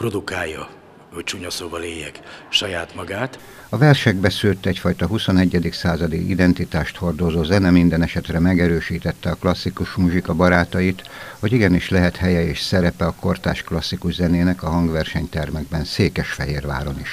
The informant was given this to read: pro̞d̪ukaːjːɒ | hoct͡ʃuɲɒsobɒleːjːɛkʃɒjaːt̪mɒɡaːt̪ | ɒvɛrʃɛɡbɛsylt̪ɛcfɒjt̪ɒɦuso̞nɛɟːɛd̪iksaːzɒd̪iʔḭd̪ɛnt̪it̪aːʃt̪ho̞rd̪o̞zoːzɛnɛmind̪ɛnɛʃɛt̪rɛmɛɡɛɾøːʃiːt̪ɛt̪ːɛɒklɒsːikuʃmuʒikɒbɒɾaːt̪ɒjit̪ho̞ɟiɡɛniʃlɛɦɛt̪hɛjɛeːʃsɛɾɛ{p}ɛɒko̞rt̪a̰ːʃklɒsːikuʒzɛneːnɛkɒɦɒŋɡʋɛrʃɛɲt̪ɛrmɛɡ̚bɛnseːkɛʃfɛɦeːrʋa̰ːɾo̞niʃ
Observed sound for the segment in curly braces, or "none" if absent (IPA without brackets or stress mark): p